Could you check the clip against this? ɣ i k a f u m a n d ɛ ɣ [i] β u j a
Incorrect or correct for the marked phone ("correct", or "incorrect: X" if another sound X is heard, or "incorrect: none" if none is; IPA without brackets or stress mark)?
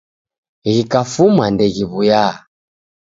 correct